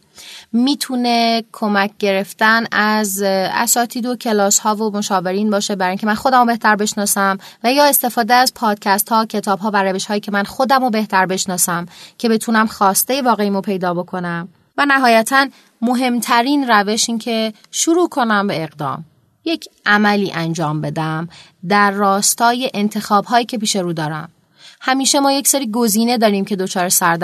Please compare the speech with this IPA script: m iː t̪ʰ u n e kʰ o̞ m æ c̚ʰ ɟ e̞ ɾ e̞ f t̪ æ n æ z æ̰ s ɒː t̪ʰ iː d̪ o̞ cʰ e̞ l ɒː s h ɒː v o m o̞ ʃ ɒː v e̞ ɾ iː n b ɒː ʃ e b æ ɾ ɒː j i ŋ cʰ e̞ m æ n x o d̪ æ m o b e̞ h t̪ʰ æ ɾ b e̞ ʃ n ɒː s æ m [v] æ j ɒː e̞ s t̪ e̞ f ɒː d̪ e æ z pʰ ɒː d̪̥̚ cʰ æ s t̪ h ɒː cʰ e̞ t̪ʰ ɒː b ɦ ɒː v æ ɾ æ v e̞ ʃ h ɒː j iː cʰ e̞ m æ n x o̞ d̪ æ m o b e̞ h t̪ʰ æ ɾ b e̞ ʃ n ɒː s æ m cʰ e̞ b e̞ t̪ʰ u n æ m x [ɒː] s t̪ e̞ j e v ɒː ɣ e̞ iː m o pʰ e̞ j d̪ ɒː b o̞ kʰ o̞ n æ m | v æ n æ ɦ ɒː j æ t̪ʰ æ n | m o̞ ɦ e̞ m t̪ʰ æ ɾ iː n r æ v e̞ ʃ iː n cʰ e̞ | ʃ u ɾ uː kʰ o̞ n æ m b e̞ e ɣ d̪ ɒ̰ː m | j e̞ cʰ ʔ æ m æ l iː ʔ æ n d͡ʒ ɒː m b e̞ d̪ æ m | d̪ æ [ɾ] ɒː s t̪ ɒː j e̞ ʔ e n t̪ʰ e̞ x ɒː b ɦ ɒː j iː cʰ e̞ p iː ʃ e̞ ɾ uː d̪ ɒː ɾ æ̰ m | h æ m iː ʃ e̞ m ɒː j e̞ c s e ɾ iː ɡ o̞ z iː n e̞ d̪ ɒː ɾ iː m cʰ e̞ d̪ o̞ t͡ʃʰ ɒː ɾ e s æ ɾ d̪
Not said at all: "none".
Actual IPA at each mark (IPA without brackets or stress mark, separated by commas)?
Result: v, ɒː, ɾː